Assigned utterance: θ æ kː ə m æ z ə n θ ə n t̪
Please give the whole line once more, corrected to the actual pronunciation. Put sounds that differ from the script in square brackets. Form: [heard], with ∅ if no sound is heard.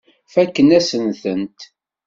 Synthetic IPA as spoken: [f] æ kː ə [n] æ [s] ə n θ ə n t̪